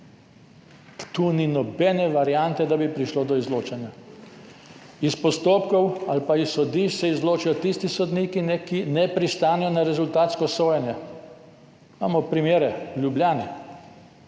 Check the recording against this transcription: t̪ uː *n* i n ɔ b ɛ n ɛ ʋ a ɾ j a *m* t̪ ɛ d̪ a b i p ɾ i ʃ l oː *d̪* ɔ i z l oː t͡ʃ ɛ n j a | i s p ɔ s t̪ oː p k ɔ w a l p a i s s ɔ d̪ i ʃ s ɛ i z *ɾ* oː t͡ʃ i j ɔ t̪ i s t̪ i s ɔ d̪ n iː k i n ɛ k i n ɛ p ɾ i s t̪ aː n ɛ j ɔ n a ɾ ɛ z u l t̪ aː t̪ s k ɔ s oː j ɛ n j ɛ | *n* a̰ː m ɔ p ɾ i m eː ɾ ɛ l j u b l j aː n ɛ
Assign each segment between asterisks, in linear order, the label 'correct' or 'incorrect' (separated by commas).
correct, incorrect, correct, incorrect, incorrect